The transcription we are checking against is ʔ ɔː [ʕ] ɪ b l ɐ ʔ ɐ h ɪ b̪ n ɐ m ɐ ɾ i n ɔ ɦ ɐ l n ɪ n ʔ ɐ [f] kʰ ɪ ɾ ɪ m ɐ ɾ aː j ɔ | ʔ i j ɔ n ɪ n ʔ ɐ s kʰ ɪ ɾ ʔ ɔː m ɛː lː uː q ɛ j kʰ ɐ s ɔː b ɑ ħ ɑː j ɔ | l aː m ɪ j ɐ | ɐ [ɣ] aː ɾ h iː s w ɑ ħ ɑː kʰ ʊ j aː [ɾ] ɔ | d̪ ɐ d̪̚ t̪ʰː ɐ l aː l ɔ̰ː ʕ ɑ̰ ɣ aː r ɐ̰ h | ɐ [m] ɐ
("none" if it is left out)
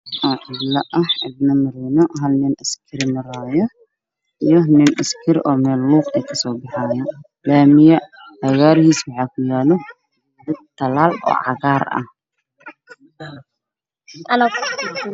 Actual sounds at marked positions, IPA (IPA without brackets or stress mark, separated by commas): ʕ, s, ɣ, l, n